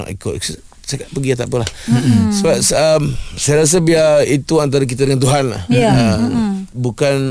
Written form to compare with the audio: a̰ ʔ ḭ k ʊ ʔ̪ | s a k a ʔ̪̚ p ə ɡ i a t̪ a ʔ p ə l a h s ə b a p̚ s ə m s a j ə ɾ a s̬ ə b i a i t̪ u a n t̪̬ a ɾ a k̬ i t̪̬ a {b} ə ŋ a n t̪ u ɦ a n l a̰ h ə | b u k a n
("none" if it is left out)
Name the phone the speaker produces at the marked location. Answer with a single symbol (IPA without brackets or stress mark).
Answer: d